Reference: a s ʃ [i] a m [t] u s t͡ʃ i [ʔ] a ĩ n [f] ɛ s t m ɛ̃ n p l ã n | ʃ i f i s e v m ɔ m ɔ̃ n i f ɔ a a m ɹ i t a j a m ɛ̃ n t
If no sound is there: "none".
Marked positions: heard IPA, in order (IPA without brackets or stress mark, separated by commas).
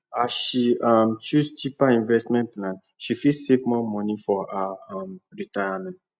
i, t͡ʃ, p, v